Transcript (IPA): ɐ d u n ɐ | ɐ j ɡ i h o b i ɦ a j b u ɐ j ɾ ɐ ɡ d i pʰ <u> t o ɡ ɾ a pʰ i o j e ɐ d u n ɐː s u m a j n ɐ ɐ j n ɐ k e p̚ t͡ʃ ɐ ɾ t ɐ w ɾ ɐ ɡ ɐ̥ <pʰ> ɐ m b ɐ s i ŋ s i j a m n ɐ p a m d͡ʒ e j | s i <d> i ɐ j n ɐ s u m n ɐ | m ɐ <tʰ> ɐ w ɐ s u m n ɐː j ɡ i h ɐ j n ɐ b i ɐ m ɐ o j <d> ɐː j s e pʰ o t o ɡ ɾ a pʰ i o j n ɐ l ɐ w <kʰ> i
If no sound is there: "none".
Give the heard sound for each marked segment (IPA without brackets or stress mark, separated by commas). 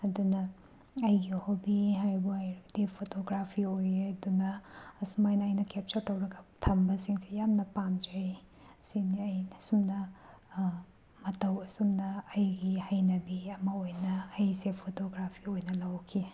o, tʰ, n, t, n, kʰ